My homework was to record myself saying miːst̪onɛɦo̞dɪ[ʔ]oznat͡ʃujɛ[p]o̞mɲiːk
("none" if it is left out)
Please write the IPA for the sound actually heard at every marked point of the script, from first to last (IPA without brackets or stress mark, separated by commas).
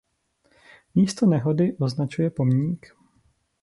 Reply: ʔ, p